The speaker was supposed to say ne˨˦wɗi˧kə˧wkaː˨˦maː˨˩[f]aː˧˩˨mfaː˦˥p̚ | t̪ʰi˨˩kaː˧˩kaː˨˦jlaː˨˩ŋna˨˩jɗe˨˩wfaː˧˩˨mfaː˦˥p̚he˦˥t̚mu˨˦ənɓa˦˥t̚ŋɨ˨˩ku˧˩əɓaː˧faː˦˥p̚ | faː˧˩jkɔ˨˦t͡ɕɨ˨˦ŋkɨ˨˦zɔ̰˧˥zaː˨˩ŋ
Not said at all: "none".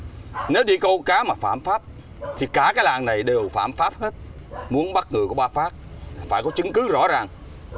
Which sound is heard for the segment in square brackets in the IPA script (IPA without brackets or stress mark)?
f